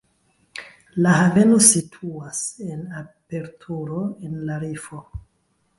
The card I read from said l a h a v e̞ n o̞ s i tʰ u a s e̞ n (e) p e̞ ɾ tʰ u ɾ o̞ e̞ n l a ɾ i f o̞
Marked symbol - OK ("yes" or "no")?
no